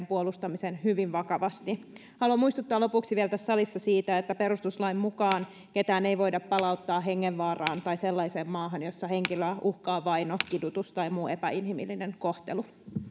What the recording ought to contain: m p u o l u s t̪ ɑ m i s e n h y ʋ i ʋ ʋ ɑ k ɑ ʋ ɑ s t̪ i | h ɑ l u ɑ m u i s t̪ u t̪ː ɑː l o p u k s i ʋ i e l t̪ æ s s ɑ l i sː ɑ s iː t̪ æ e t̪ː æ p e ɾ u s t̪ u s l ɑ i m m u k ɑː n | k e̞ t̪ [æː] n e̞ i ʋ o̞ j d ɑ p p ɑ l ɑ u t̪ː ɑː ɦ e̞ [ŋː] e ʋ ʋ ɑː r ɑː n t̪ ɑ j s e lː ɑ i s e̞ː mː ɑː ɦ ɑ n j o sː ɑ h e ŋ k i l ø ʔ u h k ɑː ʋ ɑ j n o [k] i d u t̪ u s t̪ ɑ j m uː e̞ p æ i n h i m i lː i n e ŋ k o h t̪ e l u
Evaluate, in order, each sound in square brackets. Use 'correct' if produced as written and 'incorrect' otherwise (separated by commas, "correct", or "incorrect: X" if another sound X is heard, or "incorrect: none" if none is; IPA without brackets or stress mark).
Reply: correct, correct, correct